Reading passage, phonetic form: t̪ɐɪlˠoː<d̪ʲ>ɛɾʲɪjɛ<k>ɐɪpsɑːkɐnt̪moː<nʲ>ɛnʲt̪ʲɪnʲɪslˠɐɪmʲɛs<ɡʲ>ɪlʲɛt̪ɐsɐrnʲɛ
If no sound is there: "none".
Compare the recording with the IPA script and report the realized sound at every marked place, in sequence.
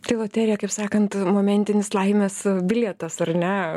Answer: t̪ʲ, k, mʲ, bʲ

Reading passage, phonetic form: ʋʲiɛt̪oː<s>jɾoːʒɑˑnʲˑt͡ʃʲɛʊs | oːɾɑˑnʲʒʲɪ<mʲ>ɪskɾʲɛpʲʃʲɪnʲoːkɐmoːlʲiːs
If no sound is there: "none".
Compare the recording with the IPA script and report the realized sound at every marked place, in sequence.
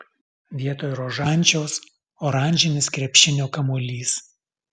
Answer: none, nʲ

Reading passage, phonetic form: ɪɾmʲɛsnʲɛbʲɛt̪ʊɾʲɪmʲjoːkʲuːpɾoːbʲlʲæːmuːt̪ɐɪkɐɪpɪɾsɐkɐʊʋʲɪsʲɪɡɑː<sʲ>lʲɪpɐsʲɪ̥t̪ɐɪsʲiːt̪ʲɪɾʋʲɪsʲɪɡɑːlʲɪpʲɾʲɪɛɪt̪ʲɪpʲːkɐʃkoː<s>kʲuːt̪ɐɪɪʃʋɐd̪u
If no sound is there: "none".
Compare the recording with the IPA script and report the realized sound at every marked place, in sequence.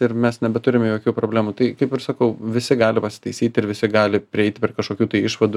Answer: none, none

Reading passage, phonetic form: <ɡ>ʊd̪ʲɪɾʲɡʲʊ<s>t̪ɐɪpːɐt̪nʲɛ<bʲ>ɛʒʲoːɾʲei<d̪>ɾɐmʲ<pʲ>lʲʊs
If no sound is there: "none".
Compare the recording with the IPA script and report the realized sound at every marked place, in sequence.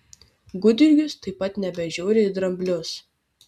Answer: ɡ, s, bʲ, d̪, bʲ

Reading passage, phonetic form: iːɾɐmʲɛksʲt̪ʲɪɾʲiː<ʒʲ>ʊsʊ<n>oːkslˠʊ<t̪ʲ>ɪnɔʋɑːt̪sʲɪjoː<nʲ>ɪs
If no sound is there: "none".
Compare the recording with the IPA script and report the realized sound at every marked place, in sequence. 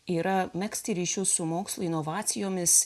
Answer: ʃʲ, m, none, mʲ

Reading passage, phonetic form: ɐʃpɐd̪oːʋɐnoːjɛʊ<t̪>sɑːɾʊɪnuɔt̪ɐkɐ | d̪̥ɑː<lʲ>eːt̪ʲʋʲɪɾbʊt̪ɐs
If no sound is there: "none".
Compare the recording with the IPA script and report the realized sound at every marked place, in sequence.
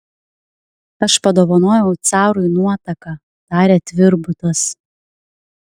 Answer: t̪, ɾʲ

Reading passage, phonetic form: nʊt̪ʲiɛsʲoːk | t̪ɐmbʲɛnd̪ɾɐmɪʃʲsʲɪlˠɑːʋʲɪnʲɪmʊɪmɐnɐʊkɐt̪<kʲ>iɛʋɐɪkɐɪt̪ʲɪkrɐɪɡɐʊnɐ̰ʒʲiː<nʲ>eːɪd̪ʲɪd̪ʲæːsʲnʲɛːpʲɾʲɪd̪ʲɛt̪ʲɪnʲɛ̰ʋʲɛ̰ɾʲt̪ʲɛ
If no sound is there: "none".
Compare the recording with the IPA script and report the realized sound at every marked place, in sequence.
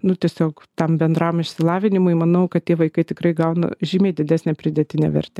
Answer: tʲ, mʲ

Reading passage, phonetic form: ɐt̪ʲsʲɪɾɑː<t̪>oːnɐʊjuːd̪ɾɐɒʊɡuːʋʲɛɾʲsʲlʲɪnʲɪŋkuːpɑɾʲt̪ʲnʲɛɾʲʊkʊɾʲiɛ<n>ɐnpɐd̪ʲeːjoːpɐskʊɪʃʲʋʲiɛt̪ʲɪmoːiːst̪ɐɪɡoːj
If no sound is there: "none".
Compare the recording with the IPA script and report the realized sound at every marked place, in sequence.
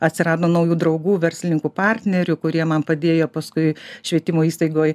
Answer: d̪, m

